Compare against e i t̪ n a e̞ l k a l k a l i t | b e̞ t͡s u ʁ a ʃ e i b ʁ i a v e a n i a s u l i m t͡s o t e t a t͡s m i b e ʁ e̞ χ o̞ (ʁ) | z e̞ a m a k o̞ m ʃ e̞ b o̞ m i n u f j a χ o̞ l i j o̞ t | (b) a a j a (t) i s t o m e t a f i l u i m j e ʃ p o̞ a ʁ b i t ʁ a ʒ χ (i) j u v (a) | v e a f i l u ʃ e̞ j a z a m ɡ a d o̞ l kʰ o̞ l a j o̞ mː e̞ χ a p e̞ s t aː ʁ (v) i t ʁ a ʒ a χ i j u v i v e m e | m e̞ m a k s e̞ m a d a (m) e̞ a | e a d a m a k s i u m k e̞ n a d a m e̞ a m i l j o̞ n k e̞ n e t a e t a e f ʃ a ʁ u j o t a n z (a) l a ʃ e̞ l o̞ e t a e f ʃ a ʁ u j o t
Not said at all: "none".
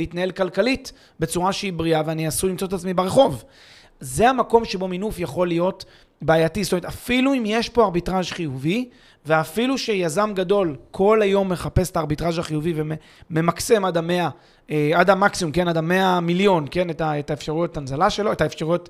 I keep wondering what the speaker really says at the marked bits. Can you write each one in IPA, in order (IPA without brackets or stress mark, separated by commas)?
v, b, t, i, i, b, m, a